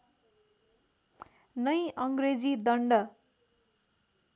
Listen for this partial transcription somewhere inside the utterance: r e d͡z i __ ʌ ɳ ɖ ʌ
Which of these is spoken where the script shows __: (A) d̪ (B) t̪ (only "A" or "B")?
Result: A